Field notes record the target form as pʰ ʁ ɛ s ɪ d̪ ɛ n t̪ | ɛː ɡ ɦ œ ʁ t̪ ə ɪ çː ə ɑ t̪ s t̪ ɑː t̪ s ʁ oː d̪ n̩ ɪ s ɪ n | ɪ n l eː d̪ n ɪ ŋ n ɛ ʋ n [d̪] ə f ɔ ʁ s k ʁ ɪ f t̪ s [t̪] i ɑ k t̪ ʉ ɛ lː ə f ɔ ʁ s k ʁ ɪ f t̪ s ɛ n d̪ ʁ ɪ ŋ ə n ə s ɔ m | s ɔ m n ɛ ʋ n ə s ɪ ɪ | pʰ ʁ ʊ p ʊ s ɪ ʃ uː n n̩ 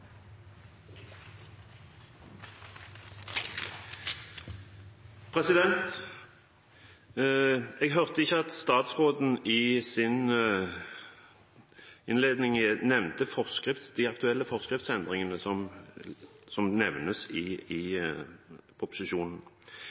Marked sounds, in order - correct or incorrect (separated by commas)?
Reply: incorrect, incorrect